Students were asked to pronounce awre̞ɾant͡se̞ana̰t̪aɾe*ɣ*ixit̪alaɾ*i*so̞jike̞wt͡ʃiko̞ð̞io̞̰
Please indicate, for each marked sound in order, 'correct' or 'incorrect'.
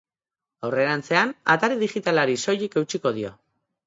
incorrect, correct

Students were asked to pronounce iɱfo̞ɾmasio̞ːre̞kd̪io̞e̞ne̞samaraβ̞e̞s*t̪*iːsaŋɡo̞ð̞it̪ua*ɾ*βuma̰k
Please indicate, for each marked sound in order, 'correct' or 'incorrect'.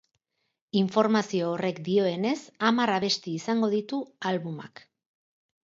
correct, incorrect

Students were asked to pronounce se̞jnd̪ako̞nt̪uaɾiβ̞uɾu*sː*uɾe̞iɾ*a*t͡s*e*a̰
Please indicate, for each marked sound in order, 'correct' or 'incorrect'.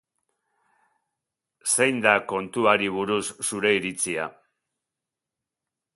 correct, incorrect, incorrect

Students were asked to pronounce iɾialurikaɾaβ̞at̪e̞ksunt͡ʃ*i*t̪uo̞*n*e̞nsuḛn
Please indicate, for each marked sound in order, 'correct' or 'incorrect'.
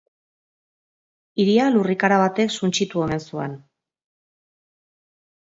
correct, incorrect

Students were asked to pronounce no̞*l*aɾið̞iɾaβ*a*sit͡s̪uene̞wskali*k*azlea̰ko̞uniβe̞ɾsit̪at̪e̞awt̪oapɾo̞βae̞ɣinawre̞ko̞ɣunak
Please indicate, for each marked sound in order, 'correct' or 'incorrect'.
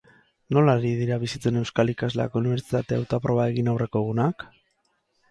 correct, incorrect, correct

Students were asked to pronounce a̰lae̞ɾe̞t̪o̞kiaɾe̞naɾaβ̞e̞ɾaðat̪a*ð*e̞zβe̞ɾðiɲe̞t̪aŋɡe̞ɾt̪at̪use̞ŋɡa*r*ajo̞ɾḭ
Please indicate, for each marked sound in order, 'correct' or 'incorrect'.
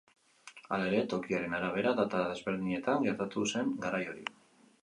correct, incorrect

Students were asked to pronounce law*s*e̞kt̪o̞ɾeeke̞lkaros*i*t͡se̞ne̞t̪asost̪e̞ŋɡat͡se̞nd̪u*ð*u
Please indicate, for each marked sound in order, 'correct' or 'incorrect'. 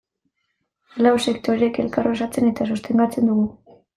correct, incorrect, incorrect

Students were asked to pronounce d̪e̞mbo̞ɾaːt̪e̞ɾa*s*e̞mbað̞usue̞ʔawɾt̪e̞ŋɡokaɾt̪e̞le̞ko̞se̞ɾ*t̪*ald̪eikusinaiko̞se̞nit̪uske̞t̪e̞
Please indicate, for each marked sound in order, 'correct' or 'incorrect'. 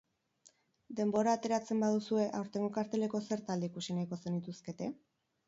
incorrect, correct

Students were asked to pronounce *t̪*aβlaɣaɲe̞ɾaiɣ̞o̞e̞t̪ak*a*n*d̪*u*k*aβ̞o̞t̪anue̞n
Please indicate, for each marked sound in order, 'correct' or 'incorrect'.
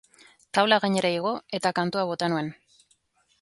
correct, correct, incorrect, incorrect

